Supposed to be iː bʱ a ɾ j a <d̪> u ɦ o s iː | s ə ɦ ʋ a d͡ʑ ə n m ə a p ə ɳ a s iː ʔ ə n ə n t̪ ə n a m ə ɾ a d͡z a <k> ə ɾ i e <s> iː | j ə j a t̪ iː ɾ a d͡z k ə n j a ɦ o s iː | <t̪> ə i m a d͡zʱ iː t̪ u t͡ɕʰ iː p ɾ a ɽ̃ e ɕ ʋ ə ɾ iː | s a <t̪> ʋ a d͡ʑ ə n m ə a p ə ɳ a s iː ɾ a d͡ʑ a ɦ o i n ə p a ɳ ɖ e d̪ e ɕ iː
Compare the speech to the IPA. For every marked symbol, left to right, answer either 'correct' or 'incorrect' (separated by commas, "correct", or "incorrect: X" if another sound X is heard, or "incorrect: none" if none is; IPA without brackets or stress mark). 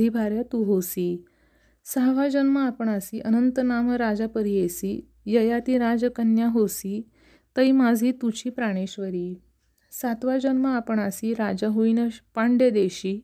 incorrect: t̪, incorrect: p, correct, correct, correct